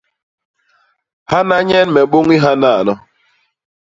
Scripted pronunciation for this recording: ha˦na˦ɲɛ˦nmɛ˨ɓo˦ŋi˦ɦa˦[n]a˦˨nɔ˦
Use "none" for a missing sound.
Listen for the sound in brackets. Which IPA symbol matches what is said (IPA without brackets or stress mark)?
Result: n